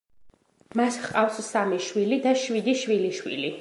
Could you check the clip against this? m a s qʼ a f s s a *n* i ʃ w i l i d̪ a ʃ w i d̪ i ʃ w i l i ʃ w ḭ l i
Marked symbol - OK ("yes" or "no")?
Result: no